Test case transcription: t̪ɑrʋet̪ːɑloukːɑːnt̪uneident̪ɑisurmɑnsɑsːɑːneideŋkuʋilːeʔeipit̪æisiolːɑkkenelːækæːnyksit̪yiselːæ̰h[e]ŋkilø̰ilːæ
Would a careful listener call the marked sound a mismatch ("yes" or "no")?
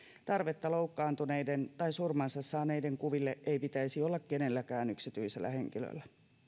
no